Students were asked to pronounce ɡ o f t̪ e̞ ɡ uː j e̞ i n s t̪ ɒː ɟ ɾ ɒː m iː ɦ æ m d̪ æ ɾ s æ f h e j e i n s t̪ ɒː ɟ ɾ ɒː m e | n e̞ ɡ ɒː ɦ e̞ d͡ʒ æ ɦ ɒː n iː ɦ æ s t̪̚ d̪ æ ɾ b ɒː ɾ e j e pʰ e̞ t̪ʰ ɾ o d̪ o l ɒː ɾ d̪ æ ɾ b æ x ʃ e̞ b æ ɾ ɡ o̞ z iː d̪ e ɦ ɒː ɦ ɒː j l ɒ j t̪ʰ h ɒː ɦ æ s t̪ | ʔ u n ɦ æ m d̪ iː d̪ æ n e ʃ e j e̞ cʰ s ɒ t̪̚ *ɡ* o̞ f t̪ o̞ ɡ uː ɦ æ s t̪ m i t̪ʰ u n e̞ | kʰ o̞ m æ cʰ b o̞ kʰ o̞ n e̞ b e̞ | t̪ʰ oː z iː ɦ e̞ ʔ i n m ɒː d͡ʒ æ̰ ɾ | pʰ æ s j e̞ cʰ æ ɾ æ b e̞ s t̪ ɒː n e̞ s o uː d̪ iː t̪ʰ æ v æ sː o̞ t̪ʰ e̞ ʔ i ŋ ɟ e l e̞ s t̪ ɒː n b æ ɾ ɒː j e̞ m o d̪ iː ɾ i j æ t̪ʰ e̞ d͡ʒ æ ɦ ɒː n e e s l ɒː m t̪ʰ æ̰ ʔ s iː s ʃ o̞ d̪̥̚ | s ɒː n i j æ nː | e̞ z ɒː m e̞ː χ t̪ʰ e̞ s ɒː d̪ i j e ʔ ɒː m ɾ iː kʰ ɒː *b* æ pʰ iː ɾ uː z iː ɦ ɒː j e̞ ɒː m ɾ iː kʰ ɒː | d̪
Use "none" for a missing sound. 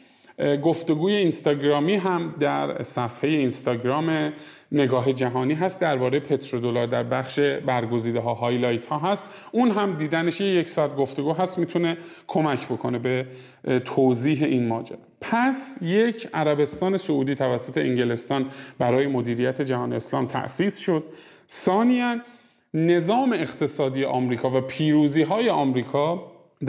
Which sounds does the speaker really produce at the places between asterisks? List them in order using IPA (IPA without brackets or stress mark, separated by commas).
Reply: ɡ, v